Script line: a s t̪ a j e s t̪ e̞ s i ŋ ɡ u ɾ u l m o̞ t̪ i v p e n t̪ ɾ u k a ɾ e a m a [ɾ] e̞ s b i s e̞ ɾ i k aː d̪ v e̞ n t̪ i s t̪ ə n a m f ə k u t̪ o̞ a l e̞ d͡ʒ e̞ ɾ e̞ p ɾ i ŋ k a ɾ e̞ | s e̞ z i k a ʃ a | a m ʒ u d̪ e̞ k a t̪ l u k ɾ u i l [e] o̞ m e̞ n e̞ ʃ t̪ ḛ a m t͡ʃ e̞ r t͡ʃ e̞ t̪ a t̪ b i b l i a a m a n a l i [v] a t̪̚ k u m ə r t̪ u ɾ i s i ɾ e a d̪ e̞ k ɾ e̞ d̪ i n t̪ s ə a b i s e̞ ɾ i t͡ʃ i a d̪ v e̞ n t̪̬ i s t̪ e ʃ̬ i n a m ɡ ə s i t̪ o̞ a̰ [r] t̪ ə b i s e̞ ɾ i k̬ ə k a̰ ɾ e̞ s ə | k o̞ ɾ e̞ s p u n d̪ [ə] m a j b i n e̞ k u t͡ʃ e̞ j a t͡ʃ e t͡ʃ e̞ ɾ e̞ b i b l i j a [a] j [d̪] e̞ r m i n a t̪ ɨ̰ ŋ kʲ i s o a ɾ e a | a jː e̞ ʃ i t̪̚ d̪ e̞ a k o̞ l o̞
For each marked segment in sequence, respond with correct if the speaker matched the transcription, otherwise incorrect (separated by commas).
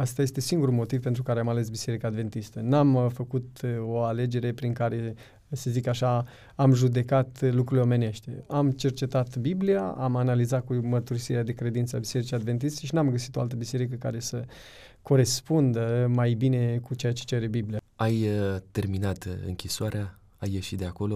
incorrect, correct, incorrect, incorrect, correct, correct, incorrect